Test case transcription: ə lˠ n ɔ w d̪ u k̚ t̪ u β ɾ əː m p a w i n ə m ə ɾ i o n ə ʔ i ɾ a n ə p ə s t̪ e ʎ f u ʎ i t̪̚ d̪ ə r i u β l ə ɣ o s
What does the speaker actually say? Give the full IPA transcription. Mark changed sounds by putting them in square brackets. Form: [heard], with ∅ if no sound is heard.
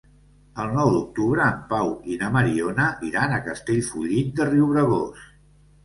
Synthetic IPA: ə lˠ n ɔ w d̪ u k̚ t̪ u β ɾ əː m p a w i n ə m ə ɾ i o n ə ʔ i ɾ a n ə [k] ə s t̪ e ʎ f u ʎ i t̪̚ d̪ ə r i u β [ɾ] ə ɣ o s

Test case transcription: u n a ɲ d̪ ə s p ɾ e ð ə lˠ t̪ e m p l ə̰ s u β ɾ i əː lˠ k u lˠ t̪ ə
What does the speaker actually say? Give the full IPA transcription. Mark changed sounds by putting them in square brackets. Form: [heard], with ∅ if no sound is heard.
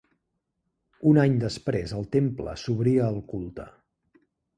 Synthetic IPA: u n a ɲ d̪ ə s p ɾ e [z] ə lˠ t̪ e m p l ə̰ s u β ɾ i əː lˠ k u lˠ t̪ ə

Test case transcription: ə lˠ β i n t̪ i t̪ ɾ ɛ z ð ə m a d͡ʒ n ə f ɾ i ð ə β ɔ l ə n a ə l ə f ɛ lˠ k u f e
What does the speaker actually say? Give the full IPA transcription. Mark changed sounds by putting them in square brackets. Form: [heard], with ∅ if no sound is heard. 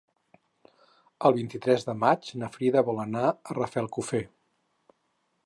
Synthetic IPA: ə lˠ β i n t̪ i t̪ ɾ ɛ z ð ə m a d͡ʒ n ə f ɾ i ð ə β ɔ l ə n a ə [r] ə f ɛ lˠ k u f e

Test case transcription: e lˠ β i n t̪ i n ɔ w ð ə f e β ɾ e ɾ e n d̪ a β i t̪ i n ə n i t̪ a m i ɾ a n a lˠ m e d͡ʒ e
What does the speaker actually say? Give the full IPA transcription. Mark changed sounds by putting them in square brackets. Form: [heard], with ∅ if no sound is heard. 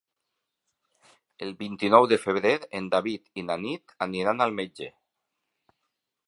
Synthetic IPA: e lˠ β i n t̪ i n ɔ w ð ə f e β ɾ e ɾ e n d̪ a β i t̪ i n [a] n i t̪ a [n] i ɾ a n a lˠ m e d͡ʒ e

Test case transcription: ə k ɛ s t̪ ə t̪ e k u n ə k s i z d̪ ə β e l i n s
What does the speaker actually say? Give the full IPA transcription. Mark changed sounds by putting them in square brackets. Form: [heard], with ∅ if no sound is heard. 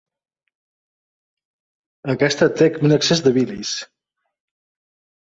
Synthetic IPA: ə k ɛ s t̪ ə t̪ e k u n ə k s [e] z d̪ ə β [i] l i [∅] s

